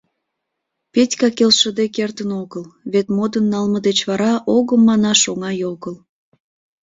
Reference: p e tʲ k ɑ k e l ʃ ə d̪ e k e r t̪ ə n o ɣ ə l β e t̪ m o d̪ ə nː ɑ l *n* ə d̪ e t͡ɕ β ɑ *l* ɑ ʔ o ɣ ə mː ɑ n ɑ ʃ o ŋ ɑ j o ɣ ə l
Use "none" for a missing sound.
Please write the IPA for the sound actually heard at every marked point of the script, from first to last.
m, ɾ

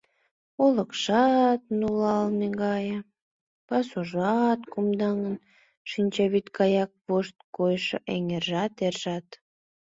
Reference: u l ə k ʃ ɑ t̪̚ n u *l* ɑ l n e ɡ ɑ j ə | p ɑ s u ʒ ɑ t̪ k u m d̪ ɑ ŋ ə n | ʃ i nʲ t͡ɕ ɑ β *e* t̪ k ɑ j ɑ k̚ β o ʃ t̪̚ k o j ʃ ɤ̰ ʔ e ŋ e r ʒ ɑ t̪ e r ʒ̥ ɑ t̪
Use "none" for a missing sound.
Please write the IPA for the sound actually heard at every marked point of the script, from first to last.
l, i

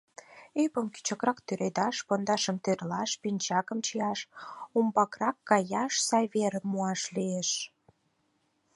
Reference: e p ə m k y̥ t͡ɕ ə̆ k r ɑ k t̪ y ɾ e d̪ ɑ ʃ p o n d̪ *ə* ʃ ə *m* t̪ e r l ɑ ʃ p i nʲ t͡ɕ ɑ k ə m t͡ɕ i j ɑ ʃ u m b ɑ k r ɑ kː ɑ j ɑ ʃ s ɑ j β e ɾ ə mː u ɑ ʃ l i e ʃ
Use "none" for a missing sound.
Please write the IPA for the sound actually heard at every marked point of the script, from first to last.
ɑ, m

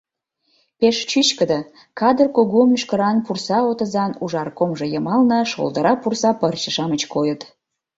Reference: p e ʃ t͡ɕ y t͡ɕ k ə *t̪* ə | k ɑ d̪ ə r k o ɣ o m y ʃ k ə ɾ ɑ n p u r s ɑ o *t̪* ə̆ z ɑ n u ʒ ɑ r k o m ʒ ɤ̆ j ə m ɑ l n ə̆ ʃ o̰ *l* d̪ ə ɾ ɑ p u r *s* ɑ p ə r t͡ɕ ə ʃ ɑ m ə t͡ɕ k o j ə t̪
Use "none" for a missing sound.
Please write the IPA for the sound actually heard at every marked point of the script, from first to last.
d̪, t̪, l, s

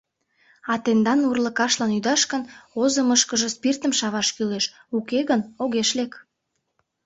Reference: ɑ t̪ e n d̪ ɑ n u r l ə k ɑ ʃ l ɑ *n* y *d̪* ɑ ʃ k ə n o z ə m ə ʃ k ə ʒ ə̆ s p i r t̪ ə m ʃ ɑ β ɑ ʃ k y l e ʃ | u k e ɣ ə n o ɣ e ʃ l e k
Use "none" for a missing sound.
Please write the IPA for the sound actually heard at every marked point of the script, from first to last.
n, d̪

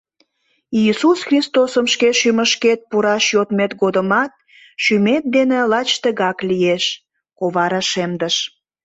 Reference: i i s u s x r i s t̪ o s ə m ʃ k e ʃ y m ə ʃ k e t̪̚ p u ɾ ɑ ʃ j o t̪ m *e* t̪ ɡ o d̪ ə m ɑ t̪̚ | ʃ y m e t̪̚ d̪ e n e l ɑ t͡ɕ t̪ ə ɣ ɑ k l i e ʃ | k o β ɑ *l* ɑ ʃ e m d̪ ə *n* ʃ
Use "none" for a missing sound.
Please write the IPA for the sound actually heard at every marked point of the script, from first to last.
e, ɾ, none

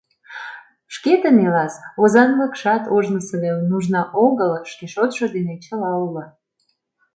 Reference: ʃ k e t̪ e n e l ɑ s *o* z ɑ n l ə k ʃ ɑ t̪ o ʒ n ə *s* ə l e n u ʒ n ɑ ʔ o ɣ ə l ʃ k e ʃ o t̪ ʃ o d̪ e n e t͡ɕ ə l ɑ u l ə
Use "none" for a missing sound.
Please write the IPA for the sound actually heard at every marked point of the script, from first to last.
o, s

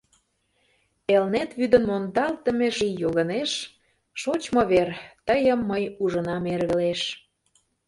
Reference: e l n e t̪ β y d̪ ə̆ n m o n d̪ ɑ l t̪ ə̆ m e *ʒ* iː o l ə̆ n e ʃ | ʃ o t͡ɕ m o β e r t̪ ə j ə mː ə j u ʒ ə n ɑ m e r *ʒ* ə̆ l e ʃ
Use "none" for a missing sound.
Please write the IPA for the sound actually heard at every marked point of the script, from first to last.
ʒ, ɣ

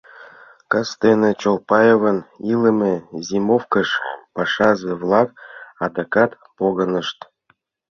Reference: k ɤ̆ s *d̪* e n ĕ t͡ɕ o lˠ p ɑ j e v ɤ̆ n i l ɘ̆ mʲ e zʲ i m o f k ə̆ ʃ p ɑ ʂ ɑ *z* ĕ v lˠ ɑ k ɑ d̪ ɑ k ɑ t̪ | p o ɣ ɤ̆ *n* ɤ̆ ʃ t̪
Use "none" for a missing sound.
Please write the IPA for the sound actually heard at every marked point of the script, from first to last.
t̪, z, n

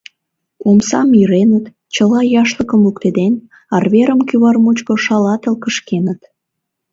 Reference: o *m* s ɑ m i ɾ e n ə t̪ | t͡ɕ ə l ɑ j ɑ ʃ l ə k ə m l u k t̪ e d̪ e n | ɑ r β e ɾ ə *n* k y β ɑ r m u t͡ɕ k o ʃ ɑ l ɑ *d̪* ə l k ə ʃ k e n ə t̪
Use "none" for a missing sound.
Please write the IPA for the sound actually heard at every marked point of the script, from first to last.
m, m, t̪

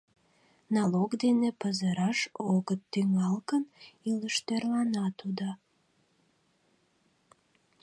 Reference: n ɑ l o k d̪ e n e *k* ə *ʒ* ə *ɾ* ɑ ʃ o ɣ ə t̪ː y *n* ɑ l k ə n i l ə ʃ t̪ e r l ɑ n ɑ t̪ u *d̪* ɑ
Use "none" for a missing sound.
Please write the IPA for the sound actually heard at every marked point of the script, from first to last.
p, z, ɾ, ŋ, d̪

